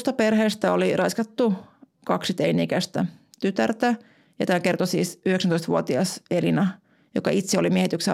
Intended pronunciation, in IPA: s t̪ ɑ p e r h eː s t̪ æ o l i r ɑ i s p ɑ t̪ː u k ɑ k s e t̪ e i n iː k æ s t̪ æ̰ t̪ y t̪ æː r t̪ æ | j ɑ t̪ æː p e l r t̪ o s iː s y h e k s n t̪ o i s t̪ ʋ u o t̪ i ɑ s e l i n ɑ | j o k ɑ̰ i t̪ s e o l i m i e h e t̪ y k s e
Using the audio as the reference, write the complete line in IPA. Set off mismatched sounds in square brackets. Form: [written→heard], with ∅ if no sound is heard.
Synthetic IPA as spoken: s t̪ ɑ p e r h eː s t̪ æ o l i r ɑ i s [p→k] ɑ t̪ː u k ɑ k s [e→i] t̪ e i n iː k æ s t̪ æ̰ t̪ y t̪ [æː→æ] r t̪ æ | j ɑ t̪ æː [p→k] e [l→∅] r t̪ o s iː s y h e k s n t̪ o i s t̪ ʋ u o t̪ i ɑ s e l i n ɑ | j o k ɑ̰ i t̪ s e o l i m i e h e t̪ y k s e